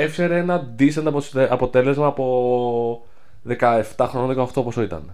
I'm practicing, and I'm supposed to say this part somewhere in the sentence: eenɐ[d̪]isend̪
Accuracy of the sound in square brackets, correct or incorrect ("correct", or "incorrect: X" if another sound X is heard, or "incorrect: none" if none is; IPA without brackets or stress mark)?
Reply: correct